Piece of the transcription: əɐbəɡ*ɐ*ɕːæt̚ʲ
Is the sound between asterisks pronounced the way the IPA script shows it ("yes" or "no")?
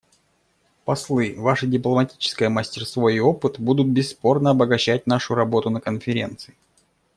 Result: yes